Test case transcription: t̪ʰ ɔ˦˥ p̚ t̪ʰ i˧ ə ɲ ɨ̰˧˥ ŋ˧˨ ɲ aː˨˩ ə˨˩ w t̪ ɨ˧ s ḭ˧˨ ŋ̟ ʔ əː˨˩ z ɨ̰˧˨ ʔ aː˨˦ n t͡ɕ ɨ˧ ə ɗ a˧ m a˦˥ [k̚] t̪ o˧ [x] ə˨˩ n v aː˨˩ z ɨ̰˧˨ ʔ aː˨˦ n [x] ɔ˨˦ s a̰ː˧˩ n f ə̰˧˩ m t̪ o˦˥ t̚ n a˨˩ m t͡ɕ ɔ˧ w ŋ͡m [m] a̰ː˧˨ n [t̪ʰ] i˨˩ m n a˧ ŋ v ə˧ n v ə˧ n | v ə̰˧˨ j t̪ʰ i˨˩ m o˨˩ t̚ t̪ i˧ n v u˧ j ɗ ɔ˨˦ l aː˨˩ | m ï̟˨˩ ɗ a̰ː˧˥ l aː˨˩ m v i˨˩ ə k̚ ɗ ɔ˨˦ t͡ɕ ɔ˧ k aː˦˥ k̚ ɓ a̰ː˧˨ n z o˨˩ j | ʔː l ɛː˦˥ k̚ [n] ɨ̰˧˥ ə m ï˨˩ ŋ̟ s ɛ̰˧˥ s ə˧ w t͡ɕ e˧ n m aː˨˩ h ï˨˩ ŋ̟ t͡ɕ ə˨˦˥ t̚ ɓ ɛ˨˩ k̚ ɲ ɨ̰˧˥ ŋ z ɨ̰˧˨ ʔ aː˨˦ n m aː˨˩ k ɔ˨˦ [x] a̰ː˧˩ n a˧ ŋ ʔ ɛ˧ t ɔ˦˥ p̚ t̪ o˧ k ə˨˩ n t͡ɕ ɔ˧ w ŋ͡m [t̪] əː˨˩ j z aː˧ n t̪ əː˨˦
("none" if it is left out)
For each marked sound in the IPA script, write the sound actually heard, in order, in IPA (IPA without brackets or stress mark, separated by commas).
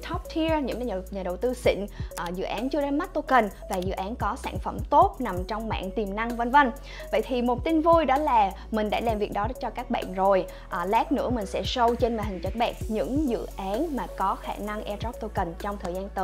t̚, k, k, m, t̪, n, x, t̪ʰ